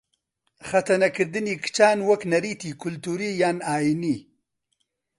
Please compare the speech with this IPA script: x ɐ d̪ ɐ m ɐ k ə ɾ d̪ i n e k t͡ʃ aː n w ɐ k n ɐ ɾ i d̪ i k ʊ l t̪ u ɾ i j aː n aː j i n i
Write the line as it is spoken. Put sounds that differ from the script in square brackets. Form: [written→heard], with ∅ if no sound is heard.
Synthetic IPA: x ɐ [d̪→t̪] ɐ [m→n] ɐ k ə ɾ d̪ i n [e→i] k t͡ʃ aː n w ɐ k n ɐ ɾ i [d̪→t̪] i k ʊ l t̪ u ɾ i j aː n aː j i n i